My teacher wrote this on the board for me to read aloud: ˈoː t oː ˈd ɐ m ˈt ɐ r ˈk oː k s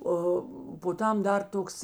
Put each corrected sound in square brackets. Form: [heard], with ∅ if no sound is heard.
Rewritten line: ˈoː [p] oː [ˈt] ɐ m [ˈd] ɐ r [ˈt] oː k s